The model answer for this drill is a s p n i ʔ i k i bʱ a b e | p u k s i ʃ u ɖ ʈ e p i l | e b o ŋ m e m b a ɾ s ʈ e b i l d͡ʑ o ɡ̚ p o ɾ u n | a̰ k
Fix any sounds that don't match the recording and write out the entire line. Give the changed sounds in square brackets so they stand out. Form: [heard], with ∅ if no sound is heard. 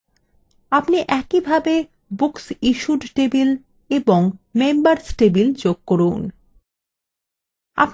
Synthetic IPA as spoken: a [∅] p n i ʔ [ɛ] k i bʱ a b e | [b] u k s i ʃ u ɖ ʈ e [b] i l | e b o ŋ m e m b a ɾ s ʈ e b i l d͡ʑ o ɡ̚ [k] o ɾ u n | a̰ [p]

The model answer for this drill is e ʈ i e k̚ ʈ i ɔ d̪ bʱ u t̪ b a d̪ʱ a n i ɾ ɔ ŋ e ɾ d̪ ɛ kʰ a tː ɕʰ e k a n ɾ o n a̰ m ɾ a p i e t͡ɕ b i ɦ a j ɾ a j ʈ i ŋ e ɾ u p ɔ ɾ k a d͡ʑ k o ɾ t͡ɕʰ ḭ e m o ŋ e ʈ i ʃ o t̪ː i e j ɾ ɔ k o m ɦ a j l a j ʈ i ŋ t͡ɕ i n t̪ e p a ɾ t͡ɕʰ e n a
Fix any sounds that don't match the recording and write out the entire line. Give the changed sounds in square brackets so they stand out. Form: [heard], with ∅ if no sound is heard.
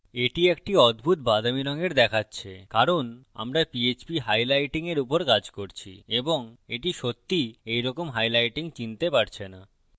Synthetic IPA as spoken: e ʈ i e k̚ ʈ i ɔ d̪ bʱ u t̪ b a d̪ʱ a [m] i ɾ ɔ ŋ e ɾ d̪ ɛ kʰ a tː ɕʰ e k a [∅] ɾ o n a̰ m ɾ a p i e t͡ɕ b i ɦ a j [l] a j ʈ i ŋ e ɾ u p [o] ɾ k a d͡ʑ k o ɾ t͡ɕʰ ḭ e [b] o ŋ e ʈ i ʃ o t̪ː i e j ɾ ɔ k o m ɦ a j l a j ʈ i ŋ t͡ɕ i n t̪ e p a ɾ t͡ɕʰ e n a

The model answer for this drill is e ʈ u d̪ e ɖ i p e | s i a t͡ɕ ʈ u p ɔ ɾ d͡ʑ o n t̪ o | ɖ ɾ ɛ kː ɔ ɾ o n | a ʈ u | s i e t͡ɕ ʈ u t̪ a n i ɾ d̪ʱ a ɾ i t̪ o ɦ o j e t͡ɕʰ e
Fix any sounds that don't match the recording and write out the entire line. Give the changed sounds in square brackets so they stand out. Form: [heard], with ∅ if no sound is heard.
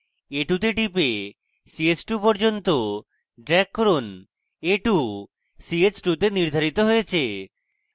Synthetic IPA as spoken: e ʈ u [t̪] e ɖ i p e | s i [e] t͡ɕ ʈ u p ɔ ɾ d͡ʑ o n t̪ o | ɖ ɾ ɛ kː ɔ ɾ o n | [e] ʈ u | s i e t͡ɕ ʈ u t̪ [e] n i ɾ d̪ʱ a ɾ i t̪ o ɦ o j e t͡ɕʰ e

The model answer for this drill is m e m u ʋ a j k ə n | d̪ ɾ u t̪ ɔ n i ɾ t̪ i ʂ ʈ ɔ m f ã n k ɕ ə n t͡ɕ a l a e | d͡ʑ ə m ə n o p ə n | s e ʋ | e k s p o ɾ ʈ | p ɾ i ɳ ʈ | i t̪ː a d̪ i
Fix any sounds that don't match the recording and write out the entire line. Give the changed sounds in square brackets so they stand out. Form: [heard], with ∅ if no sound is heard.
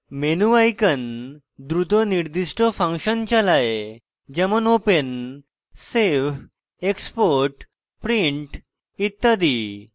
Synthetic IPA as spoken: m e [n] u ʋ a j k ə n | d̪ ɾ u t̪ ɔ n i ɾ [d̪] i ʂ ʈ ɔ [∅] f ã [ŋ] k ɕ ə n t͡ɕ a l a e | d͡ʑ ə m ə n o p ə n | s e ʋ | e k s p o ɾ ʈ | p ɾ i ɳ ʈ | i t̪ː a d̪ i

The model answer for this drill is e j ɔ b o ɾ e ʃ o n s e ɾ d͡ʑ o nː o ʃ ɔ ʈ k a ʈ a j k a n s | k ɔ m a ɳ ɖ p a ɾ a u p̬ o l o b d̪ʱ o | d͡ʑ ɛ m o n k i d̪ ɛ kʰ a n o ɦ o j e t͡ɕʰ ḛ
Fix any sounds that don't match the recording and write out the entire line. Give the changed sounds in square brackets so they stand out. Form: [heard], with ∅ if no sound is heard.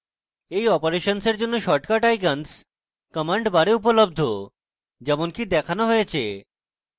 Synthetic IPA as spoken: e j ɔ [p] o ɾ e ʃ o n s e ɾ d͡ʑ o nː o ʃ ɔ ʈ k a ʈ a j k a n s | k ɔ m a ɳ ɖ [b] a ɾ [e] u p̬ o l o b d̪ʱ o | d͡ʑ ɛ m o n k i d̪ ɛ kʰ a n o ɦ o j e t͡ɕʰ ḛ

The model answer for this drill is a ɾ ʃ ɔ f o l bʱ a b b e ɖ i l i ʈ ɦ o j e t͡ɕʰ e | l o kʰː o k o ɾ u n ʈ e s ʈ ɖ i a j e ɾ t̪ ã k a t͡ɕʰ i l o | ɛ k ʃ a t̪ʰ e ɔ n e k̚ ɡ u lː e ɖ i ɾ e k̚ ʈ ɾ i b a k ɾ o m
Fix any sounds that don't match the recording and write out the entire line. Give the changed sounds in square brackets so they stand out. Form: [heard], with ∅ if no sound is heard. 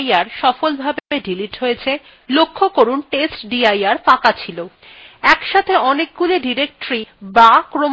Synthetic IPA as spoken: a ɾ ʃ ɔ f o l bʱ a b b e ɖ i l i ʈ ɦ o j e t͡ɕʰ e | l o kʰː o k o ɾ u n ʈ e s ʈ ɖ i a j [a] ɾ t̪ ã k a t͡ɕʰ i l o | ɛ k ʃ a t̪ʰ e ɔ n e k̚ ɡ u [l] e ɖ i ɾ e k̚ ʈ ɾ i b a k ɾ o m

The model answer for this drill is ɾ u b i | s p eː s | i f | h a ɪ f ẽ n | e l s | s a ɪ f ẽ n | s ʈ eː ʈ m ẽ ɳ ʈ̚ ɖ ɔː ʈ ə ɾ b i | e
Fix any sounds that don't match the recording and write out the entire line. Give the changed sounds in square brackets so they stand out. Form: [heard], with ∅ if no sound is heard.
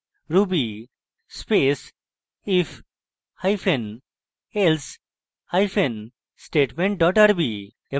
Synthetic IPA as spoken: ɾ u b i | s p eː s | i f | h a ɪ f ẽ n | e l s | [h] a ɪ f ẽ n | s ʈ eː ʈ m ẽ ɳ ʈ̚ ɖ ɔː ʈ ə ɾ b i | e

